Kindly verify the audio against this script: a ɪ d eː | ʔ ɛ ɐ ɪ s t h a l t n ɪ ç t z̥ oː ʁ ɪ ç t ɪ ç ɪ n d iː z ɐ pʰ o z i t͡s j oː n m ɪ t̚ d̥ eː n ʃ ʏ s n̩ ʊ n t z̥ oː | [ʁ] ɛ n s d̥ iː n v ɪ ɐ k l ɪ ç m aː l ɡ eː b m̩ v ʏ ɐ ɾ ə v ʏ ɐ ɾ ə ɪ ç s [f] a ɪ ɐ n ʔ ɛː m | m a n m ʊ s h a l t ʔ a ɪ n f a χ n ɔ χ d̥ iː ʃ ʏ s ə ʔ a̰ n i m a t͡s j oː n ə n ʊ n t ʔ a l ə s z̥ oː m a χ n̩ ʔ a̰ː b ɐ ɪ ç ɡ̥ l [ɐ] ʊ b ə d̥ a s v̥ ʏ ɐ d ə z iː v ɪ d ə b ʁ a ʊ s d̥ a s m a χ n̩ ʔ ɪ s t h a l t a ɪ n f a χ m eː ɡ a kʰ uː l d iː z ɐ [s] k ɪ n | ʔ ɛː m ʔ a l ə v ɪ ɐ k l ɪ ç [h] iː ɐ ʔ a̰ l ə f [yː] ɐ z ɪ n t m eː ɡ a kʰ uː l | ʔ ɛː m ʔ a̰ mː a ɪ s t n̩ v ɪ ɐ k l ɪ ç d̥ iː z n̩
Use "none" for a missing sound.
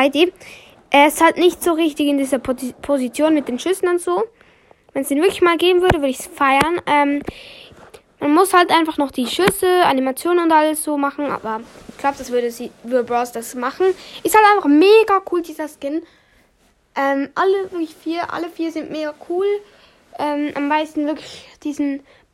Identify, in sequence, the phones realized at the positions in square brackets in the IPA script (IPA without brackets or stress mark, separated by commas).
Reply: v, f, a, s, f, iː